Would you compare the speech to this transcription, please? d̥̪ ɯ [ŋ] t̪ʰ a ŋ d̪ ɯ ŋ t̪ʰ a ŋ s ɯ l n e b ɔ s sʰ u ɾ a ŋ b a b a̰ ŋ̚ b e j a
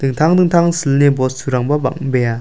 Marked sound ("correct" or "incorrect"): correct